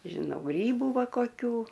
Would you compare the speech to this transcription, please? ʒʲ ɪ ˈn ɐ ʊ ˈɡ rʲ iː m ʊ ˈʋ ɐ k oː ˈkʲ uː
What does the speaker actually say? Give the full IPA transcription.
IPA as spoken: ʒʲ ɪ ˈn ɐ ʊ ˈɡ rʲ iː b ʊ ˈʋ ɐ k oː ˈkʲ uː